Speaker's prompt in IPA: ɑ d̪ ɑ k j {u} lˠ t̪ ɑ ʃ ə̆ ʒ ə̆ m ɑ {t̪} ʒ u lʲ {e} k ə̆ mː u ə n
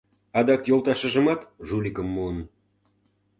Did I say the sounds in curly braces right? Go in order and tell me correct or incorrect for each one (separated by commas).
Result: incorrect, correct, incorrect